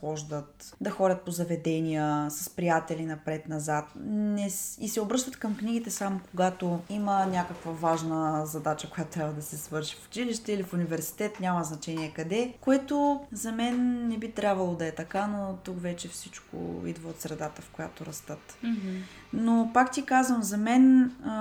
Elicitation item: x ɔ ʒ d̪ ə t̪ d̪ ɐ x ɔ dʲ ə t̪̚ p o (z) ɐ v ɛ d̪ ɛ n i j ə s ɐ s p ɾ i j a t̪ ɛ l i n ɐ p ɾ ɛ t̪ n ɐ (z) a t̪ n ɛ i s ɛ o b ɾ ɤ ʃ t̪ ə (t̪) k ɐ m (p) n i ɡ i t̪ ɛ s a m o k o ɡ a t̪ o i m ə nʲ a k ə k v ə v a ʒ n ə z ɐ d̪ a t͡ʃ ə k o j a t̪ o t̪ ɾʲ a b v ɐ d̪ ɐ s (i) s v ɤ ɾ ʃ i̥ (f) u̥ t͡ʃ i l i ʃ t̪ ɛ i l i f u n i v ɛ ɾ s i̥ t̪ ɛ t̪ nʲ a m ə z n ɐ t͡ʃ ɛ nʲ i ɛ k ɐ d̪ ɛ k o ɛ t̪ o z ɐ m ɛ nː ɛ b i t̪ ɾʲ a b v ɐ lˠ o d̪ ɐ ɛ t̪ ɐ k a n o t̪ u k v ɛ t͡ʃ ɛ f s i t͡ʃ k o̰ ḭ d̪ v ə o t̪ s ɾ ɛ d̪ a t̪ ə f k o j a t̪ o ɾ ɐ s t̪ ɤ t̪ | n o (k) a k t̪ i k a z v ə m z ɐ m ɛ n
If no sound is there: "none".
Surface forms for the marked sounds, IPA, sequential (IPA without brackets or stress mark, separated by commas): z, z, t̪, k, ɛ, f, p